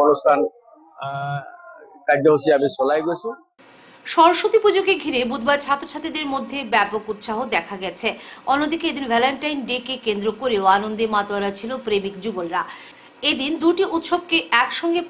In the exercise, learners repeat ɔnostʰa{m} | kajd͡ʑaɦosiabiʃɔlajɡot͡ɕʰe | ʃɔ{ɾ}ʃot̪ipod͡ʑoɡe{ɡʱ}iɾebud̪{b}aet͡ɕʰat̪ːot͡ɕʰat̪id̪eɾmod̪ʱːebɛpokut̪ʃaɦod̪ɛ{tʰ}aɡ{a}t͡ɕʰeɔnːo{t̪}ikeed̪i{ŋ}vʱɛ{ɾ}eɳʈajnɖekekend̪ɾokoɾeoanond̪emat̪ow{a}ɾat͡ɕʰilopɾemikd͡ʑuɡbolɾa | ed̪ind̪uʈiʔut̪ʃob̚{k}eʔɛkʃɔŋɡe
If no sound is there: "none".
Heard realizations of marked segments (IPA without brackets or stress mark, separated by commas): n, ɾ, ɡʱ, b, kʰ, ɛ, d̪, n, l, a, k